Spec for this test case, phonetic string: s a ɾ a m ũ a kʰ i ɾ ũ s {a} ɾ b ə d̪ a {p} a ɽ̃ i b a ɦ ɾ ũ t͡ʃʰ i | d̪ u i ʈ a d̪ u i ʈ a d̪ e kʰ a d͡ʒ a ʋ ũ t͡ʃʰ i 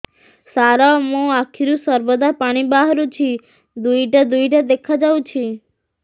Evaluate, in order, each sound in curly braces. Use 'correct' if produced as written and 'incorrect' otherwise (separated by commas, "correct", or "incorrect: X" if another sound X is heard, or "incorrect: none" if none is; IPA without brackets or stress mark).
incorrect: ə, correct